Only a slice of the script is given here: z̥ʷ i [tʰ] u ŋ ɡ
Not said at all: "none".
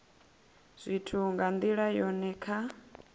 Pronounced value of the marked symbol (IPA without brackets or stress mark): tʰ